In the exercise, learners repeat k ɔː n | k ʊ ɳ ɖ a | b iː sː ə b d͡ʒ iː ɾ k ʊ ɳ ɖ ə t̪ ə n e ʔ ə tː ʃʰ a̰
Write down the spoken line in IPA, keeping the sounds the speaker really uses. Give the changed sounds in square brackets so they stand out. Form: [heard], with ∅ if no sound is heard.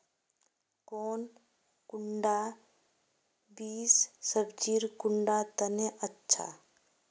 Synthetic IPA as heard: k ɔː n | k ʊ ɳ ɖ a | b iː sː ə b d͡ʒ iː ɾ k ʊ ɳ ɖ [a] t̪ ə n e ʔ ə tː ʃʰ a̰